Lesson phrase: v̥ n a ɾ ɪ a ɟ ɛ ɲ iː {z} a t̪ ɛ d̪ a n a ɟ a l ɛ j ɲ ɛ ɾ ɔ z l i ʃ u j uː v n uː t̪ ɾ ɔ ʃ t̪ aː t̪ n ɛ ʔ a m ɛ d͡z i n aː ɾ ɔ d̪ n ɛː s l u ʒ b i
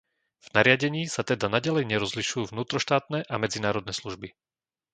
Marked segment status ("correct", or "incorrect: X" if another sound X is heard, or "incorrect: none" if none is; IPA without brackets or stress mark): incorrect: s